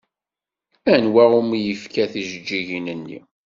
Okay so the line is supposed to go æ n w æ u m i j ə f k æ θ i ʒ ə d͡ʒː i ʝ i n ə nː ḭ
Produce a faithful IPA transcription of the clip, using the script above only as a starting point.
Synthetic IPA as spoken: æ n w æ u m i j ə f k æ θ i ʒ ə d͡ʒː i ʝ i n ə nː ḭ